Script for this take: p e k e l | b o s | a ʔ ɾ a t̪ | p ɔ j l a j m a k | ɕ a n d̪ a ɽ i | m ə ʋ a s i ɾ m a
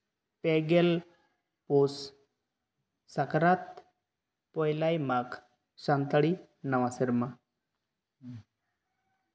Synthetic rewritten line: p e ɡ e l | p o s | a k ɾ a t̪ | p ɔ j l a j m a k | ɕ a n t̪ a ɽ i | n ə ʋ a s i ɾ m a